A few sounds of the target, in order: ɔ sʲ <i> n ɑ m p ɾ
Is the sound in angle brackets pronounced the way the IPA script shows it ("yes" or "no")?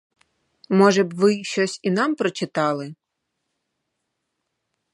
yes